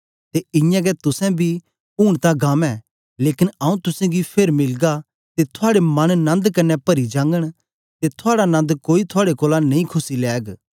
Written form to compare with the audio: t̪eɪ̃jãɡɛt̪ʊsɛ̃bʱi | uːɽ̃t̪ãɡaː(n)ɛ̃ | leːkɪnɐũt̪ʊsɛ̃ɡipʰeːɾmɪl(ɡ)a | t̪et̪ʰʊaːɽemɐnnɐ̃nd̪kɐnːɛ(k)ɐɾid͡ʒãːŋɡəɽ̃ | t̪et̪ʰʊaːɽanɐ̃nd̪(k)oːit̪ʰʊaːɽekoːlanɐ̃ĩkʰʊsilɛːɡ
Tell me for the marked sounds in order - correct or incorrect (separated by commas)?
incorrect, correct, incorrect, correct